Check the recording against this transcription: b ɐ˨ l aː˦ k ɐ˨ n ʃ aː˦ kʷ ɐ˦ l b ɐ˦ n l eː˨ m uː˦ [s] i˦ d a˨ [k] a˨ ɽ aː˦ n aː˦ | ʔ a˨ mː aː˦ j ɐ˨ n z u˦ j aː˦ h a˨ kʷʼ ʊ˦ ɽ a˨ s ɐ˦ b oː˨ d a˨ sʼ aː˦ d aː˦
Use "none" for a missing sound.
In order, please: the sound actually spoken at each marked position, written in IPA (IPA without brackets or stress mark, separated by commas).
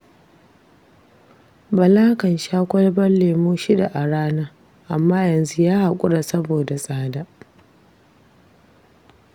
ʃ, ʔ